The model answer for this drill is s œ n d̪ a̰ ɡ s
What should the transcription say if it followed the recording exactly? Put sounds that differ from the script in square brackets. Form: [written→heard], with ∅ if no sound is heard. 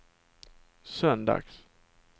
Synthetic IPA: s œ n d̪ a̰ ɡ s